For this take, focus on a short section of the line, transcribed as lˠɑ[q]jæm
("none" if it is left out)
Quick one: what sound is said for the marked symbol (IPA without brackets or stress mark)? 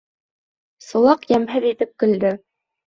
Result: q